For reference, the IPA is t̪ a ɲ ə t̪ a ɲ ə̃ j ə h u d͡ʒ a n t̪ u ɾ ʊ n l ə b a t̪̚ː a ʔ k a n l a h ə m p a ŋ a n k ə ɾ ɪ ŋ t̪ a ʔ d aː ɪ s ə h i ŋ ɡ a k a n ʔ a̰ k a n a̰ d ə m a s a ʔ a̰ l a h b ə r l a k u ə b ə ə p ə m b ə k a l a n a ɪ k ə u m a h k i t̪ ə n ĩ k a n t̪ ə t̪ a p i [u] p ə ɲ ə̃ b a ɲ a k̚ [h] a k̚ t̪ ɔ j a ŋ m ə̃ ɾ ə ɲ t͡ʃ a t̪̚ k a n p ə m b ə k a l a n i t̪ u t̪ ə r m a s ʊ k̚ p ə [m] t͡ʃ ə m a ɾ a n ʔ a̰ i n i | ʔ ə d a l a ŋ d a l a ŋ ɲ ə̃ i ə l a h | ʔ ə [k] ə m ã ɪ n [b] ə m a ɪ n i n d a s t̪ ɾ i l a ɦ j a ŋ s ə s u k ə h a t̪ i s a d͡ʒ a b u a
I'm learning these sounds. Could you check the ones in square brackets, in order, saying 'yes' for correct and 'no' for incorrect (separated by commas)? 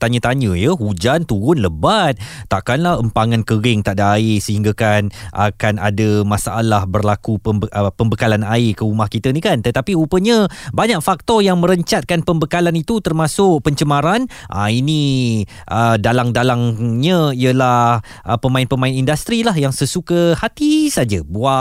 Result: yes, no, no, no, no